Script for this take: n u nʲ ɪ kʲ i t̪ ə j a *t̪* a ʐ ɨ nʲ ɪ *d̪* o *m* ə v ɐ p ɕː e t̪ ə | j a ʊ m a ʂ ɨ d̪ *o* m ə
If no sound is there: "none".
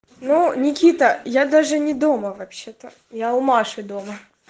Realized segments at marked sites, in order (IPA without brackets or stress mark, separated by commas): d̪, d̪, m, o